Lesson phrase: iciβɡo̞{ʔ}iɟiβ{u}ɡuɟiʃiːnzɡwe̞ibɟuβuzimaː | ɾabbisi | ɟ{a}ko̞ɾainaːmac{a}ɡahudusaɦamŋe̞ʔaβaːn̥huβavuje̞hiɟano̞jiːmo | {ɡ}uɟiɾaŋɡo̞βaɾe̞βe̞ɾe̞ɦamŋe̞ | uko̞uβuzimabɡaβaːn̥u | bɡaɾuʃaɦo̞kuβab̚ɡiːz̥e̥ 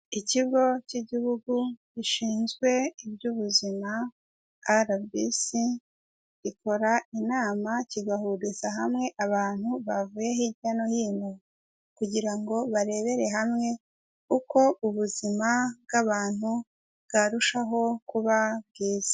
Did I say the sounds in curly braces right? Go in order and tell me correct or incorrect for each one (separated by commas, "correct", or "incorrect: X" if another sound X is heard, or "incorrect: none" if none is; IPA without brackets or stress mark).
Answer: incorrect: c, correct, incorrect: i, incorrect: i, incorrect: k